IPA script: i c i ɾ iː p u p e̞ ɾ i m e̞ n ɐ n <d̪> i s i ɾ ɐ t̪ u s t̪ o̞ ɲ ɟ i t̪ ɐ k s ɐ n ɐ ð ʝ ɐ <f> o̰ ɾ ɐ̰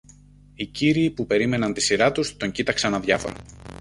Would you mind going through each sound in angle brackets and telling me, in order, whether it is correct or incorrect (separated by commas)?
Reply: incorrect, correct